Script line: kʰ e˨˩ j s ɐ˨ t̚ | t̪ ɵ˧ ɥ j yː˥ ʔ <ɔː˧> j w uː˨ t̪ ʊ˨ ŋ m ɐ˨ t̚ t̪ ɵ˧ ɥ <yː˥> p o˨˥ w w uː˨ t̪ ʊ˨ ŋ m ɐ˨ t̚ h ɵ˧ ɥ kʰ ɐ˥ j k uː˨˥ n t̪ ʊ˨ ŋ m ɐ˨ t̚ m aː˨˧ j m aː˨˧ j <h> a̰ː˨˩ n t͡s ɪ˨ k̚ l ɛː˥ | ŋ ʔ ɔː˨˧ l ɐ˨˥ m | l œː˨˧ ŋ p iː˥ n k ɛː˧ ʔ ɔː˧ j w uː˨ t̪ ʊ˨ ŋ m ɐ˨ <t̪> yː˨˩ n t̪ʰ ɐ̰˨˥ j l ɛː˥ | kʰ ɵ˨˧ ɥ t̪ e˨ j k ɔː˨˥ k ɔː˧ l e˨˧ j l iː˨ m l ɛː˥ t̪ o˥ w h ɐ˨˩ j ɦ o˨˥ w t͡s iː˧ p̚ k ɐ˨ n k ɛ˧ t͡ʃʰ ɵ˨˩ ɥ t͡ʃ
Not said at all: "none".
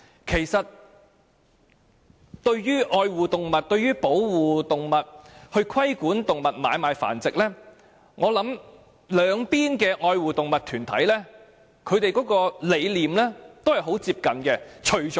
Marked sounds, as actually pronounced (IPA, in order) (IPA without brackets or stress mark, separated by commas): ɔː˧, yː˥, f, t̪ʰ